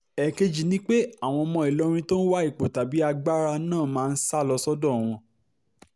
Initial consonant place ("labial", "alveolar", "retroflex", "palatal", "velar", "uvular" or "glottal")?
velar